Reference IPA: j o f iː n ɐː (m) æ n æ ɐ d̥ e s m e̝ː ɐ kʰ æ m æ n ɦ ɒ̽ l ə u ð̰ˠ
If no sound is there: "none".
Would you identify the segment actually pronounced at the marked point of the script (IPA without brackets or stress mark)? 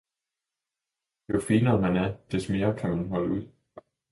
m